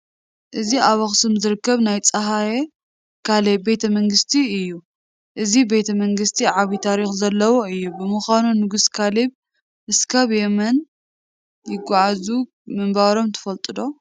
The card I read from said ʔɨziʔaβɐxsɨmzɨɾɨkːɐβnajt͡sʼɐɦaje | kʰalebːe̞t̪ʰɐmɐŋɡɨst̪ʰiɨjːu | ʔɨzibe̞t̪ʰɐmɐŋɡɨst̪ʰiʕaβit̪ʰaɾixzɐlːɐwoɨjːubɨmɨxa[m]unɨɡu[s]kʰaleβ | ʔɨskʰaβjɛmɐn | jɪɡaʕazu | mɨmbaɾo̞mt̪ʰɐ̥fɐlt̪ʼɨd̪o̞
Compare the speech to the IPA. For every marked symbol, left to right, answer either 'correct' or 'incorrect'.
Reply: incorrect: n, correct

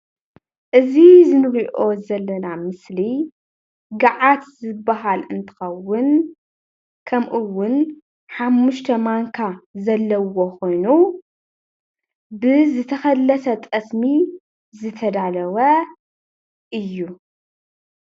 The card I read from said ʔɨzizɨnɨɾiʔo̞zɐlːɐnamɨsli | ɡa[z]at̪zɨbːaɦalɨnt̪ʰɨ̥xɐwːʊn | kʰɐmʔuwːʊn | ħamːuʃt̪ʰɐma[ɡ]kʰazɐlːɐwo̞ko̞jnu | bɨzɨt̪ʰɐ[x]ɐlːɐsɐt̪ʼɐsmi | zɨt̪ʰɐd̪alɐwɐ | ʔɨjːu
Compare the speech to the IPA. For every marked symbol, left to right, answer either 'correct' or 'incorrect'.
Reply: incorrect: ʕ, incorrect: ŋ, correct

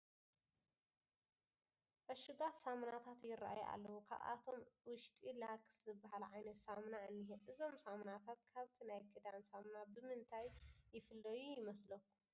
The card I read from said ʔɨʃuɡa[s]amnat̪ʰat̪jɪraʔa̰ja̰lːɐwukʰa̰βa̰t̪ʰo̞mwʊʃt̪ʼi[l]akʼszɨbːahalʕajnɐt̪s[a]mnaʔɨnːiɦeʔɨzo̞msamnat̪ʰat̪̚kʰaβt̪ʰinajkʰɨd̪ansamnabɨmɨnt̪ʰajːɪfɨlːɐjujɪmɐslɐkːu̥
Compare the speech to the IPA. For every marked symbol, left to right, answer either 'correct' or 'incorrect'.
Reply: correct, correct, correct

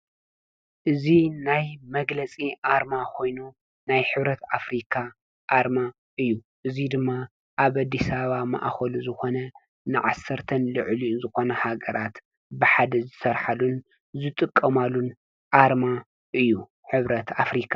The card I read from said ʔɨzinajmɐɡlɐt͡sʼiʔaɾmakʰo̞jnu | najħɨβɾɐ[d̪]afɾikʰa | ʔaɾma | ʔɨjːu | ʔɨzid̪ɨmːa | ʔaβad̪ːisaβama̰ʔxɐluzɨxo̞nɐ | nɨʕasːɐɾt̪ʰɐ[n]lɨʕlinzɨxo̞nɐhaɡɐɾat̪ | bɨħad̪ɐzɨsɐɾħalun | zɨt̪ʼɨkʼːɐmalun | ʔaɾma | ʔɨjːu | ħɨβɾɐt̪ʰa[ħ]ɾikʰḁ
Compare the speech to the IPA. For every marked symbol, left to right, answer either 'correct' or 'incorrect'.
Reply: incorrect: t̪, correct, incorrect: f

